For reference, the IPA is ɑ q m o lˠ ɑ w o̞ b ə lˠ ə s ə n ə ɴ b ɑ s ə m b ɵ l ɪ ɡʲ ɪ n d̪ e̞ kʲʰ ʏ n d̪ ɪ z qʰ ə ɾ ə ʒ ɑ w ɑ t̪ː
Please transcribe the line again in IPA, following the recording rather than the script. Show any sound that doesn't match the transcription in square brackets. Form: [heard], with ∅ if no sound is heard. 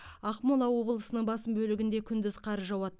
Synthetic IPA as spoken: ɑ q m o lˠ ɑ w o̞ b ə lˠ ə s ə n ə ɴ b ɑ s ə m b ɵ l ɪ ɡʲ ɪ n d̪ e̞ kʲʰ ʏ n d̪ ɪ z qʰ [ɑ] ɾ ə ʒ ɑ w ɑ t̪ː

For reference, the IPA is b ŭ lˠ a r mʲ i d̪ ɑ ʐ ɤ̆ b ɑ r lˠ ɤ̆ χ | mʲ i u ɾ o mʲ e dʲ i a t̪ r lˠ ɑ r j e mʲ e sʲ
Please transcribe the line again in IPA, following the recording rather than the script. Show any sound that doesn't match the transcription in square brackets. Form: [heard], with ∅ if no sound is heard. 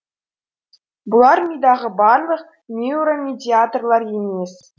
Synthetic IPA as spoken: b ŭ lˠ [ɑ] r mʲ i d̪ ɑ [ʁ] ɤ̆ b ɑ r lˠ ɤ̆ χ | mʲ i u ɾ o mʲ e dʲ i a t̪ r lˠ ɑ r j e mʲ e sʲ

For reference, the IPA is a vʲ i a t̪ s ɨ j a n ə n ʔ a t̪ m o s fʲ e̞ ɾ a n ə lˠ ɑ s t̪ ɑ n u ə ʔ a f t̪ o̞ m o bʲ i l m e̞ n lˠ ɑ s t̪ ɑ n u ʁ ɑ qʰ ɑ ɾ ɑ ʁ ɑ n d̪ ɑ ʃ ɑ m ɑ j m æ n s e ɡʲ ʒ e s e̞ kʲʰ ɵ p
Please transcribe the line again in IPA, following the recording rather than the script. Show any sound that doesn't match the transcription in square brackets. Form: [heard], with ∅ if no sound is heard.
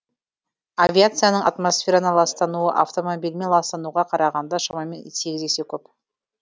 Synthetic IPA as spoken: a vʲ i a t̪ s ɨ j a n ə [ɴ] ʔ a t̪ m o s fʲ e̞ ɾ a n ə lˠ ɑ s t̪ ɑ n u ə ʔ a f t̪ o̞ m o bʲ i l m e̞ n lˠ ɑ s t̪ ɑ n u ʁ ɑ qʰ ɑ ɾ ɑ ʁ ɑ n d̪ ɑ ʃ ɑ m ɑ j m [e] n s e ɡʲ [z] e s e̞ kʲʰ ɵ p

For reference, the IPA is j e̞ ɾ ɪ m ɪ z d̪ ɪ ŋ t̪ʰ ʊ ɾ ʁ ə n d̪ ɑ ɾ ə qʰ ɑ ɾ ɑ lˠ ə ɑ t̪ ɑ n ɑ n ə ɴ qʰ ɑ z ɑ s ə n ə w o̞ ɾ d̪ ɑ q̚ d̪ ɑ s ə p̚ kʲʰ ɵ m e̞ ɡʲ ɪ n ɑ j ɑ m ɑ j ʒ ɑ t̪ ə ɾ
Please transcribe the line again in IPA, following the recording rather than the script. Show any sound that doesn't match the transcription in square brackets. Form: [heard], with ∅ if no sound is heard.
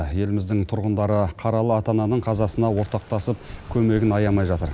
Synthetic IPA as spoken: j e̞ [l] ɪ m ɪ z d̪ ɪ ŋ t̪ʰ ʊ ɾ ʁ ə n d̪ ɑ ɾ ə qʰ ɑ ɾ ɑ lˠ ə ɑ t̪ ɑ n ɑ n ə ɴ qʰ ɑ z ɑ s ə n [ɑ] w o̞ ɾ [t̪] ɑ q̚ [t̪] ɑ s ə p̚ kʲʰ ɵ m e̞ ɡʲ ɪ n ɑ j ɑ m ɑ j ʒ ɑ t̪ ə ɾ

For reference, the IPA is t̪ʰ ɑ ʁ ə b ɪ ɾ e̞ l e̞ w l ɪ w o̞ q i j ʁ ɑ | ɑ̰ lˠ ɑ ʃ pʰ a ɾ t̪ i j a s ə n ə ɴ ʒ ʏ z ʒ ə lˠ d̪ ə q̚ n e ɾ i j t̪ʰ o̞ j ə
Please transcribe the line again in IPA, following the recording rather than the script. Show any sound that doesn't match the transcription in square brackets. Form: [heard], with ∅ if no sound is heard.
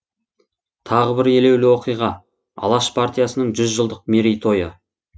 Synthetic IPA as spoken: t̪ʰ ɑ ʁ ə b ɪ ɾ e̞ l e̞ w l ɪ w o̞ q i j ʁ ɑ | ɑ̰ lˠ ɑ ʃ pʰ a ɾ t̪ i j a s ə n ə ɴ ʒ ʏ z ʒ ə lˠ d̪ ə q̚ [m] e ɾ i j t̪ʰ o̞ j ə

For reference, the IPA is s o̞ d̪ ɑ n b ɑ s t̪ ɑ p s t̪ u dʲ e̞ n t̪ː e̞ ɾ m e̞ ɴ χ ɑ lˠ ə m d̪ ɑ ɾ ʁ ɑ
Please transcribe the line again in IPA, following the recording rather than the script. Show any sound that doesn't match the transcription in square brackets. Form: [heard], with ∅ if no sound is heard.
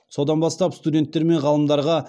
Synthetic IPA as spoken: s o̞ d̪ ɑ n b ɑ s t̪ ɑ p s t̪ u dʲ e̞ n t̪ː e̞ ɾ m e̞ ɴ [ʁ] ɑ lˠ ə m d̪ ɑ ɾ ʁ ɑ

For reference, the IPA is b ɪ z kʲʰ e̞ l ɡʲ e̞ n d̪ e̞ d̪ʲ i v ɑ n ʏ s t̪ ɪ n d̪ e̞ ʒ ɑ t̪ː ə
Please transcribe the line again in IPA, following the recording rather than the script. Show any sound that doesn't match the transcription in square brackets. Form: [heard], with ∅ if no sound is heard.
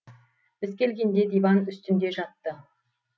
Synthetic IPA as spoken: b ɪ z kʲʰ e̞ l ɡʲ e̞ n d̪ e̞ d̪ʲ i v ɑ n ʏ s t̪ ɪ n d̪ e̞ ʒ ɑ t̪ː ə

